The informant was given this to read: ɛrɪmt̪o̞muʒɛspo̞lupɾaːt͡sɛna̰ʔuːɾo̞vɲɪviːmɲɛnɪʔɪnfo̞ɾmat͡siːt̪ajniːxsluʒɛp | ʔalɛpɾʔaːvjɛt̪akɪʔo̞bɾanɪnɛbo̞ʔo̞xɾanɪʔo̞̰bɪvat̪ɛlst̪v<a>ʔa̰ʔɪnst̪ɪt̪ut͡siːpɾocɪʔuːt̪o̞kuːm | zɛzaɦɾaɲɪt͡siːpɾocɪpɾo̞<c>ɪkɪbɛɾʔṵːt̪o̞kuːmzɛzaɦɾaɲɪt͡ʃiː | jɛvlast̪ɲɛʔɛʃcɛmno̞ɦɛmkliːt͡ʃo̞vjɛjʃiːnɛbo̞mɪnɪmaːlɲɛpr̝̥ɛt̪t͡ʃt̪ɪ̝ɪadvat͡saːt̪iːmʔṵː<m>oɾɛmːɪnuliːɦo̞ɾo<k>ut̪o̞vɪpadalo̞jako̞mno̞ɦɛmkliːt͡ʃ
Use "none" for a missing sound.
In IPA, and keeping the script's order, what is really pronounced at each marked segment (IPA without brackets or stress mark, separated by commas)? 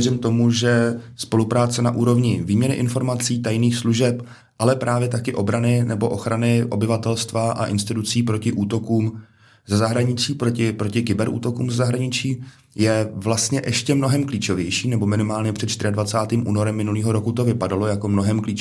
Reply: a, c, n, k